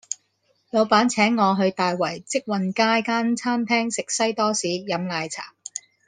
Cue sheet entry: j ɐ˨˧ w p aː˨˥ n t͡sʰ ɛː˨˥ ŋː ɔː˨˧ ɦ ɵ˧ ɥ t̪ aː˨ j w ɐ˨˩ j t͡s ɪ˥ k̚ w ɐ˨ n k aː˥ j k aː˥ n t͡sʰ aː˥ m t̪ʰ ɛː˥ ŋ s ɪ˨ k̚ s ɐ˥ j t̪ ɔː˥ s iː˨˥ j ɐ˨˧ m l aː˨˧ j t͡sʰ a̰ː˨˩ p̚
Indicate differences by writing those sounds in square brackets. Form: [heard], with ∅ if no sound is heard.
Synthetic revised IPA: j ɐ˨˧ w p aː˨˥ n t͡sʰ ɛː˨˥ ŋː ɔː˨˧ ɦ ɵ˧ ɥ t̪ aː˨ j w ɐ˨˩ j t͡s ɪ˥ k̚ w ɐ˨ n k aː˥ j k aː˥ n t͡sʰ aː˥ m t̪ʰ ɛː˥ ŋ s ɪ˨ k̚ s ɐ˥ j t̪ ɔː˥ s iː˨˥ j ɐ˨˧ m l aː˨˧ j t͡sʰ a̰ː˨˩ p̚